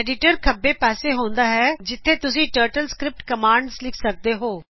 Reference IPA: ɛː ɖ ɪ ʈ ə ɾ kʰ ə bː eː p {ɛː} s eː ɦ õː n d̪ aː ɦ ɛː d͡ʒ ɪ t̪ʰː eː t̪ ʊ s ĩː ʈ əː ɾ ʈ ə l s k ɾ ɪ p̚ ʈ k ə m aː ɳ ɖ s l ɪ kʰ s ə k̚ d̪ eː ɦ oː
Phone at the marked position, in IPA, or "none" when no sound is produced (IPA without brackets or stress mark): ɛː